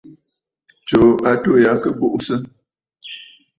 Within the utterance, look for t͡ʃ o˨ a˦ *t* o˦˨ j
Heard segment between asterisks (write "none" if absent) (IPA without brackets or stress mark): t